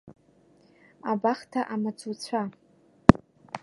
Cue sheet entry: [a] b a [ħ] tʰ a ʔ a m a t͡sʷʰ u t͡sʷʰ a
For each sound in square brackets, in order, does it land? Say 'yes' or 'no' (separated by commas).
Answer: yes, no